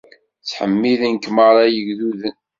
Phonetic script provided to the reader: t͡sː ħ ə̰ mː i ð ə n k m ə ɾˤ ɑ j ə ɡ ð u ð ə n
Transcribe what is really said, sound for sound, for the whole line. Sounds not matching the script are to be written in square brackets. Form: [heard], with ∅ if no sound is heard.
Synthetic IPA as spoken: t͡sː ħ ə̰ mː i ð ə n k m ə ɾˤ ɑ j ə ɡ ð u ð ə n